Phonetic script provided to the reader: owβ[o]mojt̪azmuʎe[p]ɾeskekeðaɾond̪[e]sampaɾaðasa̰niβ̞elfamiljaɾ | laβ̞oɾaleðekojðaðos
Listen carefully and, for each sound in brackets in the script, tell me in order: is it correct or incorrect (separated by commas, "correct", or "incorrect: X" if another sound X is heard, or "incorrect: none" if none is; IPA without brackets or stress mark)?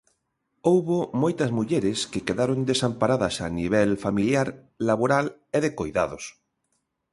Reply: correct, incorrect: none, correct